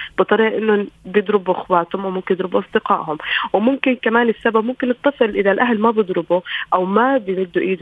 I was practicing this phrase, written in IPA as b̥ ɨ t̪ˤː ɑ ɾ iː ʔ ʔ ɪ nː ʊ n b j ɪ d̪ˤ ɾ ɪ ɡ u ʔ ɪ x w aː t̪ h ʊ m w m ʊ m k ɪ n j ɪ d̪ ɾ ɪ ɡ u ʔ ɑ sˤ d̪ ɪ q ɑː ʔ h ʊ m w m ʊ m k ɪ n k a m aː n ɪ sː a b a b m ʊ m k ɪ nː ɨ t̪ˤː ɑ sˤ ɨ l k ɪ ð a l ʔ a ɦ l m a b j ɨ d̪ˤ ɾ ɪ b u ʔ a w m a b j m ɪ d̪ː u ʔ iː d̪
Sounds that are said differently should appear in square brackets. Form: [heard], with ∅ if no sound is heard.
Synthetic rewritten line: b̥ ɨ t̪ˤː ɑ ɾ iː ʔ ʔ ɪ nː ʊ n b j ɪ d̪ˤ ɾ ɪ [b] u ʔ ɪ x w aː t̪ h ʊ m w m ʊ m k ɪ n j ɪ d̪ ɾ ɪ [b] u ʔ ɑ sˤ d̪ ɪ q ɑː ʔ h ʊ m w m ʊ m k ɪ n k a m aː n ɪ sː a b a b m ʊ m k ɪ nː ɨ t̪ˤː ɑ sˤ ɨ l [ʔ] ɪ ð a l ʔ a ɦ l m a b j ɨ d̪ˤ ɾ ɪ b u ʔ a w m a b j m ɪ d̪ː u ʔ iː d̪